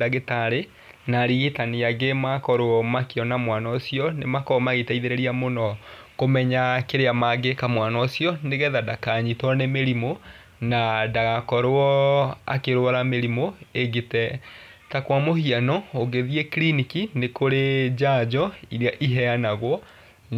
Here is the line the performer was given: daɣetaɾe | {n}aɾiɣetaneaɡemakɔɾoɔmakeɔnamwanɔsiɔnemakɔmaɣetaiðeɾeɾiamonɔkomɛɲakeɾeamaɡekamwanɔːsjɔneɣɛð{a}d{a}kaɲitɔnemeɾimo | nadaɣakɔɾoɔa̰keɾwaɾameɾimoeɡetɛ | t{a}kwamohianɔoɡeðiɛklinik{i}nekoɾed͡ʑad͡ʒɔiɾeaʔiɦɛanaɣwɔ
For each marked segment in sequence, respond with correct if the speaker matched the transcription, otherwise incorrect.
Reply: correct, correct, correct, correct, correct

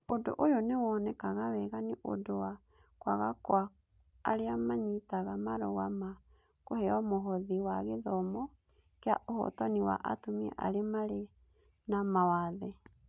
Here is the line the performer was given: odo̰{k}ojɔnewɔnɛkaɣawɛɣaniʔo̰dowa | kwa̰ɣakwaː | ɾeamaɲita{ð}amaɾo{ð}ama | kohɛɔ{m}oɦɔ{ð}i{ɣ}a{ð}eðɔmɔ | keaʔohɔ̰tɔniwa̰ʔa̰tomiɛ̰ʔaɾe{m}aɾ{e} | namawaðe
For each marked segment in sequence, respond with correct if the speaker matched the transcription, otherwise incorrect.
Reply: incorrect, incorrect, incorrect, correct, correct, incorrect, incorrect, correct, correct

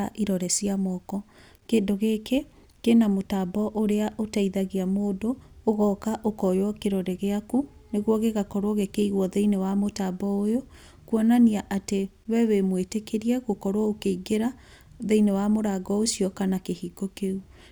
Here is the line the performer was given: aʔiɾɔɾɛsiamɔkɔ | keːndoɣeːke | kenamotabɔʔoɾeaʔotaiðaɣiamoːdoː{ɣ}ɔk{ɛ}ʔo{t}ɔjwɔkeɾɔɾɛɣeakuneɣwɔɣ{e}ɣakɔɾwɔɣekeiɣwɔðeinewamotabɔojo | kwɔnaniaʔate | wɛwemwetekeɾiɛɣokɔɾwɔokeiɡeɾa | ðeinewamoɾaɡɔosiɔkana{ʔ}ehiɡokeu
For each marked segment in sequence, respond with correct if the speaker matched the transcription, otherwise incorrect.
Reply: correct, incorrect, incorrect, correct, incorrect

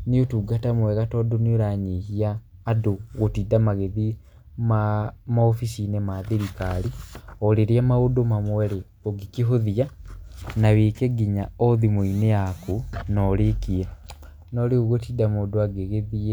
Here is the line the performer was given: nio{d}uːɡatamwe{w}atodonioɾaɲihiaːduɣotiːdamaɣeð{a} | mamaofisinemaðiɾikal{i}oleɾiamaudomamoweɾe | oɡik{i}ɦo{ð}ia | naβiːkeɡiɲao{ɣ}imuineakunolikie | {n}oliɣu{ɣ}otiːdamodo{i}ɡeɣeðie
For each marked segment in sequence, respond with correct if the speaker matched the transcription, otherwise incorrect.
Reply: incorrect, incorrect, incorrect, correct, correct, correct, incorrect, correct, correct, incorrect

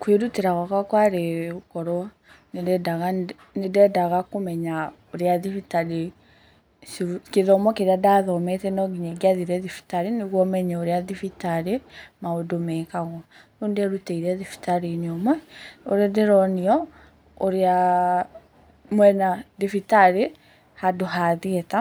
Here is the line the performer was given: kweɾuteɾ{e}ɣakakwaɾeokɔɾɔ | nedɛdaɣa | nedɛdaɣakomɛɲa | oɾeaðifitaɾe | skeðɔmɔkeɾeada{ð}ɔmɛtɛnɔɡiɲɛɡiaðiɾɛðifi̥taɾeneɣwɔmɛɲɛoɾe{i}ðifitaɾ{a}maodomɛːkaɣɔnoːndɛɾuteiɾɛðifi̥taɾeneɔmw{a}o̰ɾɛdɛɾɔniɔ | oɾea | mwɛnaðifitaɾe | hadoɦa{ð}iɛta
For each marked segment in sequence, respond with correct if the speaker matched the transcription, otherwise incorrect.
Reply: incorrect, correct, incorrect, incorrect, incorrect, correct

